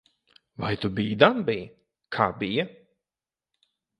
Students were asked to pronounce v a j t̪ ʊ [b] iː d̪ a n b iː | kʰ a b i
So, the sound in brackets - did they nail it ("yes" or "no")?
yes